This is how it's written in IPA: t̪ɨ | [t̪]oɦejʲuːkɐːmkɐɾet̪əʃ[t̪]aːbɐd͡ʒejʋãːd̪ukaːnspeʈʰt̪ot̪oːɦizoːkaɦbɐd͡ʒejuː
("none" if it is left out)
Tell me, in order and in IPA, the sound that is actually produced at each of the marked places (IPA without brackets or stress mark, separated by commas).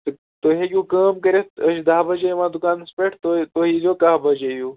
t̪, d̪